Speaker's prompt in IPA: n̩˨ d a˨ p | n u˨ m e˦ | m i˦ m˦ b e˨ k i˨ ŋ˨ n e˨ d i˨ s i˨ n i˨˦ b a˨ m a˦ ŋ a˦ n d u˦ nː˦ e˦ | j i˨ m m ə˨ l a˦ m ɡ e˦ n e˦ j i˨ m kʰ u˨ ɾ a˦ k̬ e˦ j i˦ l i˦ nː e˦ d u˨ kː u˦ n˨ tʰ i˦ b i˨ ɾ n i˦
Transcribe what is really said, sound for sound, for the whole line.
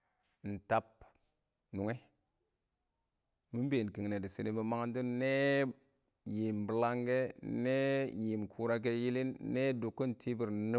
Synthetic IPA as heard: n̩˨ t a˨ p | n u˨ ŋ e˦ | m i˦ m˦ b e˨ k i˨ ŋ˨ n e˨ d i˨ s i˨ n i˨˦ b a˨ m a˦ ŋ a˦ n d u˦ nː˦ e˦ | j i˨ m b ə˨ l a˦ ŋ ɡ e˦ n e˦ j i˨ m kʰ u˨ ɾ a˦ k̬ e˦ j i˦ l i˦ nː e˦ d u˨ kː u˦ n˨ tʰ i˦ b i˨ ɾ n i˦